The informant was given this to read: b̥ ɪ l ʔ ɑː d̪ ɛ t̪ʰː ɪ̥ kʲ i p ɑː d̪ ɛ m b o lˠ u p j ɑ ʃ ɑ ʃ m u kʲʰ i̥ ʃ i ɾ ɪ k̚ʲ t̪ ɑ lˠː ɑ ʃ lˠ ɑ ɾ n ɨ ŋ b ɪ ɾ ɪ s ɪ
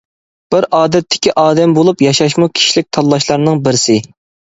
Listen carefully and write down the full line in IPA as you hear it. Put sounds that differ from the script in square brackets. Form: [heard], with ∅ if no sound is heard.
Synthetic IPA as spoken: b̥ ɪ [ɾ] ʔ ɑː d̪ ɛ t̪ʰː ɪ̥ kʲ i [ʔ] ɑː d̪ ɛ m b o lˠ u p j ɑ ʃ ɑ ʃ m u kʲʰ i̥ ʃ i [l] ɪ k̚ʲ [t̪ʰ] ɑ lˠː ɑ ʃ lˠ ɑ ɾ n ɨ ŋ b ɪ ɾ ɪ s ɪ